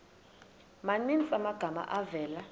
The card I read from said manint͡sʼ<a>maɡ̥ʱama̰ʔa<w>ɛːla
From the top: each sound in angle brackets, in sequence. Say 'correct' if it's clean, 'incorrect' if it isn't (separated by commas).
correct, incorrect